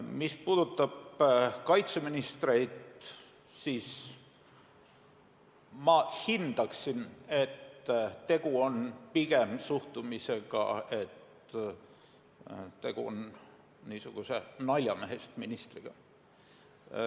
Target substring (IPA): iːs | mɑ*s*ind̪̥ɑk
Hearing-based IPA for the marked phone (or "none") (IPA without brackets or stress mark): h